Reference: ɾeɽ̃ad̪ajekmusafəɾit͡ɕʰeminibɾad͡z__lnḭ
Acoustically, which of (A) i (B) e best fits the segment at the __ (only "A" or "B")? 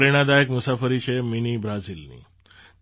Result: A